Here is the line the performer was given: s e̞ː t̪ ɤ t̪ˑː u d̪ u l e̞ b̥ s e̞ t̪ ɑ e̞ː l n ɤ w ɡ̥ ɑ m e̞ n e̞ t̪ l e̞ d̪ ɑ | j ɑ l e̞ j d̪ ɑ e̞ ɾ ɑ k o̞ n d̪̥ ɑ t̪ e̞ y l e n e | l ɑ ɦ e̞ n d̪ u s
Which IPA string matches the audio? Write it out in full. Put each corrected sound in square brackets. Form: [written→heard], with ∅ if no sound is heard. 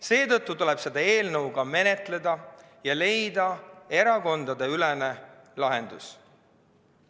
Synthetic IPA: s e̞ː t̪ ɤ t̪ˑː u [d̪→t̪] u l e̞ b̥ s e̞ [t̪→d̪] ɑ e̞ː l n ɤ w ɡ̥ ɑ m e̞ n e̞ t̪ l e̞ d̪ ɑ | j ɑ l e̞ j d̪ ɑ e̞ ɾ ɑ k o̞ n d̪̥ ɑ [t̪→d̪] e̞ y l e n e | l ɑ ɦ e̞ n d̪ u s